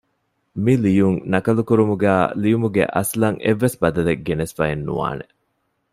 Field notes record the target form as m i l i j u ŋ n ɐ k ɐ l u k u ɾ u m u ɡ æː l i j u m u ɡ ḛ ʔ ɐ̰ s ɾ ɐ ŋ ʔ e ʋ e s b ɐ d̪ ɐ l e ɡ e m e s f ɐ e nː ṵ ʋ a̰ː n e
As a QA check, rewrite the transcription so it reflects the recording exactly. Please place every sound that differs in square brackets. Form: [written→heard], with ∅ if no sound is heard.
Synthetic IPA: m i l i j u ŋ n ɐ k ɐ l u k u ɾ u m u ɡ æː l i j u m u ɡ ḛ ʔ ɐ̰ s [ɾ→l] ɐ ŋ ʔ e [ʋ→ʋː] e s b ɐ d̪ ɐ l e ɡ e [m→n] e s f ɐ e nː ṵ ʋ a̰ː n e